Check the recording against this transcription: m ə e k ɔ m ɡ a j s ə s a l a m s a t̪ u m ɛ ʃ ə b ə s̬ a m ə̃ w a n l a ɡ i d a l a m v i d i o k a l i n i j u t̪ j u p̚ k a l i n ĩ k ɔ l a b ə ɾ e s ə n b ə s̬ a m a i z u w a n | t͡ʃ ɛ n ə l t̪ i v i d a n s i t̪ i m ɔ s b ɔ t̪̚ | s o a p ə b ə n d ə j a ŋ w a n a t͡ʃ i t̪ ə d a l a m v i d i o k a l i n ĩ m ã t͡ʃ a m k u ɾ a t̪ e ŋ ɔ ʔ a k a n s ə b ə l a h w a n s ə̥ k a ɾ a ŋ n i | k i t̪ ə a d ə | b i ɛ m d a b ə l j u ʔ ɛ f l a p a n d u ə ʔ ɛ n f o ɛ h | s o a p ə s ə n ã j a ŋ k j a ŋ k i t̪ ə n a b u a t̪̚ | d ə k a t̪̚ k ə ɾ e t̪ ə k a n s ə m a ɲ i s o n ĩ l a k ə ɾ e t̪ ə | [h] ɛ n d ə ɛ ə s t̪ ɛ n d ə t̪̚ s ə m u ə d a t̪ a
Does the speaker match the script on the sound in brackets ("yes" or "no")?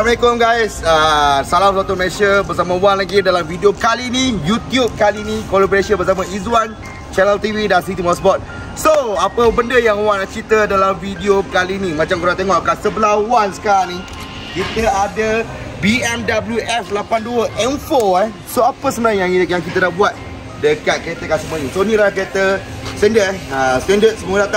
no